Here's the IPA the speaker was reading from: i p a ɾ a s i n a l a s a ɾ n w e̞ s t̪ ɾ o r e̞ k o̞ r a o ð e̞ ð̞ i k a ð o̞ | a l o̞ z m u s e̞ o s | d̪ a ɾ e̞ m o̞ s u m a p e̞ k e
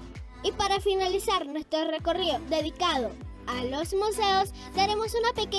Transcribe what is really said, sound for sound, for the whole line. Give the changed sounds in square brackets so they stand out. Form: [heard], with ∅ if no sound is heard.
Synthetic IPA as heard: i p a ɾ a [f] i n a l [i] s a ɾ n w e̞ s t̪ ɾ o r e̞ k o̞ r [i] o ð e̞ ð̞ i k a ð o̞ | a l o̞ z m u s e̞ o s | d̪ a ɾ e̞ m o̞ s u [n] a p e̞ k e